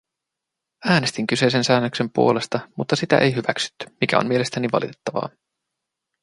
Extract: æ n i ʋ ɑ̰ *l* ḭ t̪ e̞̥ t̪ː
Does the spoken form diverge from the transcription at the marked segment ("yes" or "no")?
no